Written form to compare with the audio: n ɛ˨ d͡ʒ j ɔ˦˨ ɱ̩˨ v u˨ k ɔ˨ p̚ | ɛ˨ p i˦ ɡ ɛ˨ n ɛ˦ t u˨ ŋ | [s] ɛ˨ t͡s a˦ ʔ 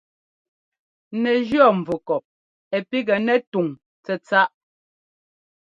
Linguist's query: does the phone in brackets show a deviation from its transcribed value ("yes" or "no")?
yes